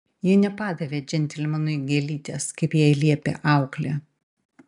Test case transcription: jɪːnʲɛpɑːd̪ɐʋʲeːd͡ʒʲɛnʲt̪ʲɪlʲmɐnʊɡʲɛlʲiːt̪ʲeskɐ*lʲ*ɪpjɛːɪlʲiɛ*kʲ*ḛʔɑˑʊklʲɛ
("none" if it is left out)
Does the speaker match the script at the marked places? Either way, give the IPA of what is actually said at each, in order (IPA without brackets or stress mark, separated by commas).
none, pʲ